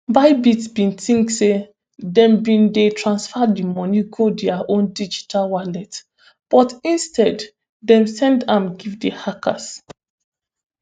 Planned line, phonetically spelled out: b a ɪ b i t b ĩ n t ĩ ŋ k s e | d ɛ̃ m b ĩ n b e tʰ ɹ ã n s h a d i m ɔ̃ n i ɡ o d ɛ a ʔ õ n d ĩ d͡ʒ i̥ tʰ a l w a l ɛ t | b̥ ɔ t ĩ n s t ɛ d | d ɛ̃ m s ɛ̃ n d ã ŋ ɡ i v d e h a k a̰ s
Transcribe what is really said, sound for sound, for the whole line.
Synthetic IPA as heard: b a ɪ b i t b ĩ n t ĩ ŋ k s e | d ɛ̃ m b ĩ n d e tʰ ɹ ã n s f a d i m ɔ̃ n i ɡ o d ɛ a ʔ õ n d i d͡ʒ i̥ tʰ a l w a l ɛ t | b̥ ɔ t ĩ n s t ɛ d | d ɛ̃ m s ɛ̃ n d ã m ɡ i v d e h a k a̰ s